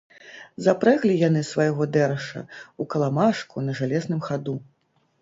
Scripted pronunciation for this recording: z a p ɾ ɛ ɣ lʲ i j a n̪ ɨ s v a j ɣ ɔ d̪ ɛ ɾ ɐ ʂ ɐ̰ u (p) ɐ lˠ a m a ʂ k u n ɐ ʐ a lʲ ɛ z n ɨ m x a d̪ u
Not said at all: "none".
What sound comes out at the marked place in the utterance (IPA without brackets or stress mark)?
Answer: k